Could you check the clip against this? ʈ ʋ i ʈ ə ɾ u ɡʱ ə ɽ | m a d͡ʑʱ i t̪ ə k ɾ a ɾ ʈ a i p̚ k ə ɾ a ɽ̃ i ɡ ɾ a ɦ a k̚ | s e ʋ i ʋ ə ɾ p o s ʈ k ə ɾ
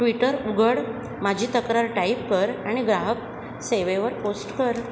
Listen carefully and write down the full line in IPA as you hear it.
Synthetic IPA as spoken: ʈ ʋ i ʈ ə ɾ u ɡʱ ə ɽ | m a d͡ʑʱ i t̪ ə k ɾ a ɾ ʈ a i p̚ k ə ɾ a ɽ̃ i ɡ ɾ a ɦ ə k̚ | s e ʋ e ʋ ə ɾ p o s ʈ k ə ɾ